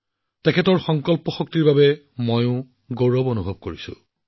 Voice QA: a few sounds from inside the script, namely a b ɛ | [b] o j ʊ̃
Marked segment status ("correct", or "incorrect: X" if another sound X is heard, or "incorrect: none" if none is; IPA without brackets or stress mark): incorrect: m